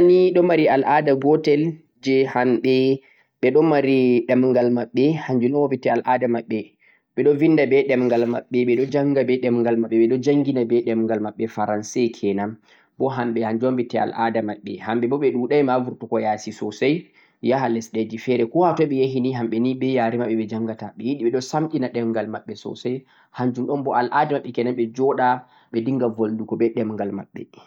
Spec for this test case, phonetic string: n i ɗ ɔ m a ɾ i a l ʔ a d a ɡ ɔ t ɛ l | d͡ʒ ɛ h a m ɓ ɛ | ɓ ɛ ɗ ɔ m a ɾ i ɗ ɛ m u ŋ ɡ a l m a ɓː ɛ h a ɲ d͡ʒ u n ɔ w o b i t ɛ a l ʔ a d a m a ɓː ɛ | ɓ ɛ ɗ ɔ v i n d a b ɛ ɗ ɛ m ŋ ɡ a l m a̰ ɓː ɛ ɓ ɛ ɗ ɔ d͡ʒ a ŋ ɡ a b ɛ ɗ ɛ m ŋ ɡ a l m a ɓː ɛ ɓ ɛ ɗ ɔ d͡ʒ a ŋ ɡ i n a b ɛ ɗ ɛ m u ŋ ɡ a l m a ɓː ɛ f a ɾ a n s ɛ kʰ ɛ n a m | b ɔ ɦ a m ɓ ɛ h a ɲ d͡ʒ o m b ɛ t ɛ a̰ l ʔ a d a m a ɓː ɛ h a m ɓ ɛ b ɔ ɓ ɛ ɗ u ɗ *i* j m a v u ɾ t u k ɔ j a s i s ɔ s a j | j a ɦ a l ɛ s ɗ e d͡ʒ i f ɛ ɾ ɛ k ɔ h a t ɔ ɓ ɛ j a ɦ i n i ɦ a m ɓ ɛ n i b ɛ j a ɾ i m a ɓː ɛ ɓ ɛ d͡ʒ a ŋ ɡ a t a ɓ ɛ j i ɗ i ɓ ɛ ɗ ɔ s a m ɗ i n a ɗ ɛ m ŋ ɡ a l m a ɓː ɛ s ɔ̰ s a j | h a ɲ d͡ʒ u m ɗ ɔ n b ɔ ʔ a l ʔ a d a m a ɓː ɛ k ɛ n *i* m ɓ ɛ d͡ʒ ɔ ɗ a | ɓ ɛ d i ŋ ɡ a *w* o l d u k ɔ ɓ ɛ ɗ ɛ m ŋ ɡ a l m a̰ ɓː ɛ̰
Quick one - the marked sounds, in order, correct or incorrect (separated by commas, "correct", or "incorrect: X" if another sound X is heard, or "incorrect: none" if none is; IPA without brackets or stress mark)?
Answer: incorrect: a, incorrect: a, incorrect: v